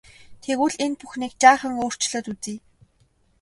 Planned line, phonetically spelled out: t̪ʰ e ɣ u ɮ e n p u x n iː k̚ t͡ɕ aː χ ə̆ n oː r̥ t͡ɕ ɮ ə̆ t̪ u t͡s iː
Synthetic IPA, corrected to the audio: t̪ʰ e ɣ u ɮ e n p u x n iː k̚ t͡ɕ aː χ ə̆ ŋ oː r̥ t͡ɕ ɮ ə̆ t̪ u t͡s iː